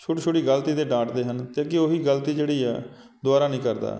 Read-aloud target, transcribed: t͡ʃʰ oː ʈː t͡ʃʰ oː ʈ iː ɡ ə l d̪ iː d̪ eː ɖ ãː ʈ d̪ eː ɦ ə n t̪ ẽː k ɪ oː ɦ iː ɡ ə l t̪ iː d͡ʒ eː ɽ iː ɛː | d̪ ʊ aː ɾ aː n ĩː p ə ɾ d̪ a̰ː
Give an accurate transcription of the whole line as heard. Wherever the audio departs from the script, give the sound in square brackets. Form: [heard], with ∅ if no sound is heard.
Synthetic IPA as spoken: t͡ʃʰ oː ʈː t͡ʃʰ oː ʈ iː ɡ ə l [t̪] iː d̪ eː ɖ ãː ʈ d̪ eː ɦ ə n t̪ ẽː k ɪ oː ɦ iː ɡ ə l t̪ iː d͡ʒ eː ɽ iː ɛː | d̪ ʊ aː ɾ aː n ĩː [k] ə ɾ d̪ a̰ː

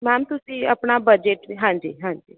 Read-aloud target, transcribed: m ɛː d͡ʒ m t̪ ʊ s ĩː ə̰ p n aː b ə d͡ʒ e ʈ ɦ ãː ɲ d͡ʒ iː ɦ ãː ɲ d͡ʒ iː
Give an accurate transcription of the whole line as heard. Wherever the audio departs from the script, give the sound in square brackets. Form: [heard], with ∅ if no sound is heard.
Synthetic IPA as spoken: m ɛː [∅] m t̪ ʊ s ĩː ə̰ p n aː b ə d͡ʒ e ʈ ɦ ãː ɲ d͡ʒ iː ɦ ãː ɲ d͡ʒ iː

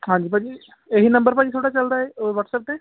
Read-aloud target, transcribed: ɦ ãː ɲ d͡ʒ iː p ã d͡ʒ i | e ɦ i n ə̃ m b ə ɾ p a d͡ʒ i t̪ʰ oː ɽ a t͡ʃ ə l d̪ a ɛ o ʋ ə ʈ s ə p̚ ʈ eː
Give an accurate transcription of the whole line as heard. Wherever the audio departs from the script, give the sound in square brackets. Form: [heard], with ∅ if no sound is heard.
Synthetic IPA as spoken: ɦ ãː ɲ d͡ʒ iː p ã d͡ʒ i | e ɦ i n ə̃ m b ə ɾ p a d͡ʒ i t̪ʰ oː ɽ a t͡ʃ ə l d̪ a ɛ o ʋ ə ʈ s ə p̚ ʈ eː

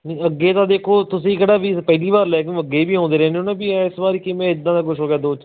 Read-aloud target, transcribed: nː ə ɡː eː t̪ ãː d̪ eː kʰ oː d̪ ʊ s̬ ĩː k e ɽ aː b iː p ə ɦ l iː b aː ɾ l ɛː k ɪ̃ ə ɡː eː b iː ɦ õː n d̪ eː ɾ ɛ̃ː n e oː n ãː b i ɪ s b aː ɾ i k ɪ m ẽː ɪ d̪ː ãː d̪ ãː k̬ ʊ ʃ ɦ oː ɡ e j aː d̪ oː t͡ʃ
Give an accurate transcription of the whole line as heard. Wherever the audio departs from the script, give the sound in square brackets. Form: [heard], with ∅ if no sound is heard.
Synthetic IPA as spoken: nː ə ɡː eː t̪ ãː d̪ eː kʰ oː [t̪] ʊ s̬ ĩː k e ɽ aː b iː p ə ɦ l iː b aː ɾ l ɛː k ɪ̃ ə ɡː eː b iː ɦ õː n d̪ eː ɾ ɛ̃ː n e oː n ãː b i ɪ s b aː ɾ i k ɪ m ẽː ɪ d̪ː ãː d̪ [aː] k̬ ʊ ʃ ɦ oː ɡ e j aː d̪ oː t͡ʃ

